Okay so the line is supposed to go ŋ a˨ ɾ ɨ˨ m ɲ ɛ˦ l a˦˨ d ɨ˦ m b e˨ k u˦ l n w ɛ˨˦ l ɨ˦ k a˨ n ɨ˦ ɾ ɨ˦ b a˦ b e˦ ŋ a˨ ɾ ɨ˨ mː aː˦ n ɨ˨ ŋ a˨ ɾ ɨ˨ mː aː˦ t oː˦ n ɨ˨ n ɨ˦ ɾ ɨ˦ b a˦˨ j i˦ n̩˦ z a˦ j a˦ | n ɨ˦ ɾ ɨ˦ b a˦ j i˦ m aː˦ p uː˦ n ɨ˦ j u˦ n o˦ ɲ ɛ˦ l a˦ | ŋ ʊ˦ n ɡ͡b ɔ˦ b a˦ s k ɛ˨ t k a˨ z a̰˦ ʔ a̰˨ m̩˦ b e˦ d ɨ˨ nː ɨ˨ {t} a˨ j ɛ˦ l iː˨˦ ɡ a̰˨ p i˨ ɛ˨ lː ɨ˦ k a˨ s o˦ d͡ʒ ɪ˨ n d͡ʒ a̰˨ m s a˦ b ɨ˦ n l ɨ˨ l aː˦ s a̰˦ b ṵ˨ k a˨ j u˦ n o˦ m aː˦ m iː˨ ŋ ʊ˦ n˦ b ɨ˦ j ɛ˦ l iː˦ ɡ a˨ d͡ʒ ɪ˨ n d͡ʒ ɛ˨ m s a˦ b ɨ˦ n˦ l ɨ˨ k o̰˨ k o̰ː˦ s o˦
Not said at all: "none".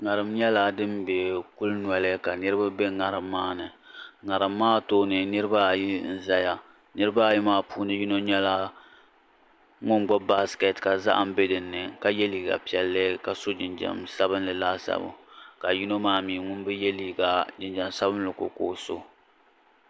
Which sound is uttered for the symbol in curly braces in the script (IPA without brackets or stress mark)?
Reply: k